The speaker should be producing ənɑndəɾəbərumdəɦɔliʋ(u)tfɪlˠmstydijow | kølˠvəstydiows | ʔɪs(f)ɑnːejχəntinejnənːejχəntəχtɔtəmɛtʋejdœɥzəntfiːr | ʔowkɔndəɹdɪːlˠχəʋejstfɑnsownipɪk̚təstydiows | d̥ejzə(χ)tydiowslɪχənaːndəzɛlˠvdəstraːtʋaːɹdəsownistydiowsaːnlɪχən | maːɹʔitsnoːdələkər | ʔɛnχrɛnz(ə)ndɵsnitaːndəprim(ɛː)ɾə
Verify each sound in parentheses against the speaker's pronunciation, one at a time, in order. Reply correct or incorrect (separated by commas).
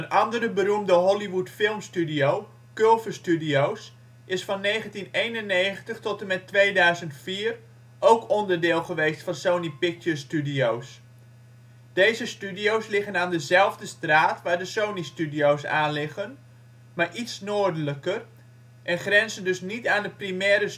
correct, correct, incorrect, correct, correct